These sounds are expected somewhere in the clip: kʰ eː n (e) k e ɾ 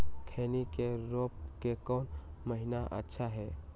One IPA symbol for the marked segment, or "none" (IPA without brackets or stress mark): i